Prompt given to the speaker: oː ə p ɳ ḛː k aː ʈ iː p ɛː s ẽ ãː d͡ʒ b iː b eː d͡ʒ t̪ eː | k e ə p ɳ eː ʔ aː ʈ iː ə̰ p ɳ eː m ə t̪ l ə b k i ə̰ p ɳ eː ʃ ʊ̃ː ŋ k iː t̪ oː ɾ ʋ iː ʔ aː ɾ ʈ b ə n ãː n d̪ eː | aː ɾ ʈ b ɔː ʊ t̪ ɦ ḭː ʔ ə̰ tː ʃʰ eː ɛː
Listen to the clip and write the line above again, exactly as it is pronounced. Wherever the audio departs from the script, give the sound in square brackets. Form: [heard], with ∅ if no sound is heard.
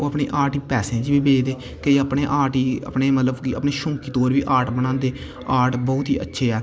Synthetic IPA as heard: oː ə p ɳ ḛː [ʔ] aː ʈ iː p ɛː s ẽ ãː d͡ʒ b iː b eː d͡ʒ [d̪] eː | k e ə p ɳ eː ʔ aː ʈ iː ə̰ p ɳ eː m ə t̪ l ə b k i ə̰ p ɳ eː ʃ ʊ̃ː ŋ k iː t̪ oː ɾ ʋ iː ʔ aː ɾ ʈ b ə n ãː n d̪ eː | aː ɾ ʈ b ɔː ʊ t̪ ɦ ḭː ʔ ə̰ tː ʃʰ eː ɛː